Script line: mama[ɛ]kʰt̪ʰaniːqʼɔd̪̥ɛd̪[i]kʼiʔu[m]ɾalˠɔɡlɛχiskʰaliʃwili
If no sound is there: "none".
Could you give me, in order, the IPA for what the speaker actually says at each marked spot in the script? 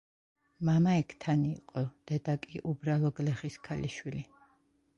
ɛ, a, b

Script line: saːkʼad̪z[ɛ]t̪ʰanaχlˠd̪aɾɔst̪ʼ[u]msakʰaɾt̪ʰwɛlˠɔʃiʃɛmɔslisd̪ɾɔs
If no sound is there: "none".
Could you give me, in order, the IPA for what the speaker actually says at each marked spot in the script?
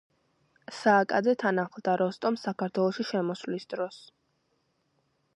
ɛ, ɔ

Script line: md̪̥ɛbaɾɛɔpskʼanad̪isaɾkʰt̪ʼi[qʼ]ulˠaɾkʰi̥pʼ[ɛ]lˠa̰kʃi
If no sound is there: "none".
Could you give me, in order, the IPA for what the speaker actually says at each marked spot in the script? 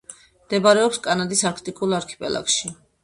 kʼ, ɛ

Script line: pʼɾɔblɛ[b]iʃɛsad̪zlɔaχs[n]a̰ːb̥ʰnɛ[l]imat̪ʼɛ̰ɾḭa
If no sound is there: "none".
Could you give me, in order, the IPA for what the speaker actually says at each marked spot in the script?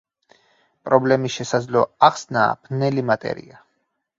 m, n, l

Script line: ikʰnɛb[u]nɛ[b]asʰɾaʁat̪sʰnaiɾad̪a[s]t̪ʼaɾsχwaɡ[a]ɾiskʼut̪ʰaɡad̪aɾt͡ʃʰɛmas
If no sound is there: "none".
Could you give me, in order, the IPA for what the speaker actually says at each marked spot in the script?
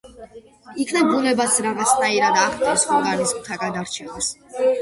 u, b, χ, a

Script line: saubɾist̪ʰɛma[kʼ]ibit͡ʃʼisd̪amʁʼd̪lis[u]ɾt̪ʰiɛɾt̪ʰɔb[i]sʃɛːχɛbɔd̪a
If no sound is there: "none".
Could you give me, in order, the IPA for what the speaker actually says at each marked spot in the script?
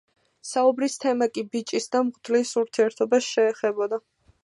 kʼ, u, a

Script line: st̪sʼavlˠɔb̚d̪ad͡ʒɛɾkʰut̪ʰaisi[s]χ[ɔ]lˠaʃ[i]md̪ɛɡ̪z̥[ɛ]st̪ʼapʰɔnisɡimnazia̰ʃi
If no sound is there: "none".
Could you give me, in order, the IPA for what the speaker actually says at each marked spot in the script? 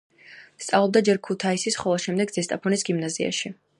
s, ɔ, ɛ, ɛ

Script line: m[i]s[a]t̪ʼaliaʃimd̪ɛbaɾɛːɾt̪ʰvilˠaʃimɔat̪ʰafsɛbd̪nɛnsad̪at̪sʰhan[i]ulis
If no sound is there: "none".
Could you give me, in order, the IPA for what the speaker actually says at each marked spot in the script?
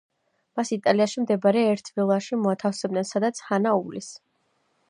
a, i, a

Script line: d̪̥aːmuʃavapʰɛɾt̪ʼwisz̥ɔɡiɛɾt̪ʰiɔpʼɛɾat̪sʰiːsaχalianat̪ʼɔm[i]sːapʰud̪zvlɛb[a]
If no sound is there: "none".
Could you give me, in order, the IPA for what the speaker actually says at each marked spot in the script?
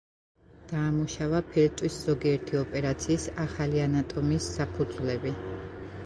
i, i

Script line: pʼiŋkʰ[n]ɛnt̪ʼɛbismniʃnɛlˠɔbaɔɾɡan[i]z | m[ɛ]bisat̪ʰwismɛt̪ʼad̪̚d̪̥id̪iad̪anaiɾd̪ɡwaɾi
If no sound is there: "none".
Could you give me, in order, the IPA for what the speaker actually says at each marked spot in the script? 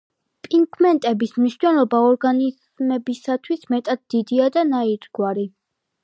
m, i, ɛ

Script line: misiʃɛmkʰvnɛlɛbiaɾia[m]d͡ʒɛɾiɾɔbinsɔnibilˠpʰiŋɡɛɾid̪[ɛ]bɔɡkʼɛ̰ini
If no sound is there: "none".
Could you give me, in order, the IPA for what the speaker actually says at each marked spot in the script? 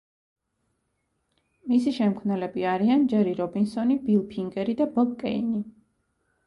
n, a

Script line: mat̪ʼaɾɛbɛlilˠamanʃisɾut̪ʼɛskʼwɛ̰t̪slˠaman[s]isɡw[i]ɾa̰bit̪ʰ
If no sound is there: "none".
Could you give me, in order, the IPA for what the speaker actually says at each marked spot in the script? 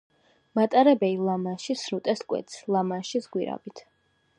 ʃ, i

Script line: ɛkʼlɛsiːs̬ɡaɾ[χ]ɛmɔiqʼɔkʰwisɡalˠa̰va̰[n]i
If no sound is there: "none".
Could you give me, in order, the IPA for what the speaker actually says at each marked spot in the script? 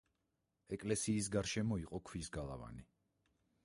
ʃ, n

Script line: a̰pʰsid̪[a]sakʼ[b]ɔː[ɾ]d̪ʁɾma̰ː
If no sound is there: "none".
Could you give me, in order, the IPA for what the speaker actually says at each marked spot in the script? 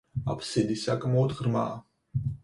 i, m, none

